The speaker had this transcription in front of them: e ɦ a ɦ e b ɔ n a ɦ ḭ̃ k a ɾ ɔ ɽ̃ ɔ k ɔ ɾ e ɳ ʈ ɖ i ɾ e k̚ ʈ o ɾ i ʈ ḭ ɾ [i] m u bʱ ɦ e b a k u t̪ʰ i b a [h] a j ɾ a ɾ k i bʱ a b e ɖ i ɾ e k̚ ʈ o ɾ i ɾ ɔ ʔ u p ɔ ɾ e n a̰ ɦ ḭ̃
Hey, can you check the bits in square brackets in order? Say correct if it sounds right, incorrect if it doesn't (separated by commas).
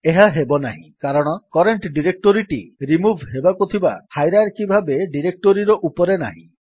correct, correct